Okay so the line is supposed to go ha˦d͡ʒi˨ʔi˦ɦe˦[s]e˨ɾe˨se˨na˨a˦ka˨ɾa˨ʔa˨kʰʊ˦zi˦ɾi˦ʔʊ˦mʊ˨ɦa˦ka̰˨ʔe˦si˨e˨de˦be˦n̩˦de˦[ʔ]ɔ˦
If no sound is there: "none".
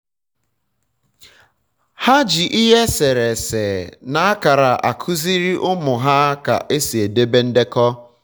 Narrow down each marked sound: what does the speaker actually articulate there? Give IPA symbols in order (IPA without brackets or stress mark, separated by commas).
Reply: s, k